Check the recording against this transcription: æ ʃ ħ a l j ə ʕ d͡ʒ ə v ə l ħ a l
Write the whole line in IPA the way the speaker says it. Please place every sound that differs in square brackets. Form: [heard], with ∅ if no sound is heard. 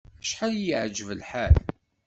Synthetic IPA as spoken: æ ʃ ħ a l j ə ʕ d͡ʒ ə v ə l ħ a l